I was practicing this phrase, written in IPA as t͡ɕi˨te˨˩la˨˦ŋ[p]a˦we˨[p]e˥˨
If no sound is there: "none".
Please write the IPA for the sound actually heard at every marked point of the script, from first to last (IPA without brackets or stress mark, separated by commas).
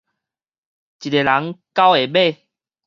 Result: k, b